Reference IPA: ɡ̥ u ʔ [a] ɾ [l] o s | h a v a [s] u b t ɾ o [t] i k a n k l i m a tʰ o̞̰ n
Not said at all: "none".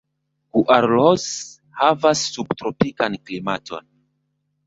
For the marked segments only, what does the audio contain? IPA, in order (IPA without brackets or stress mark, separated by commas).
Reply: a, l, sː, p